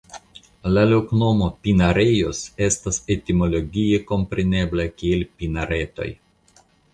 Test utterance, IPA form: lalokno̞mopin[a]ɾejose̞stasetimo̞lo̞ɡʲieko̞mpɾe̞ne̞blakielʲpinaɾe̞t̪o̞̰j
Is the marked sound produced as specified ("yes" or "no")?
yes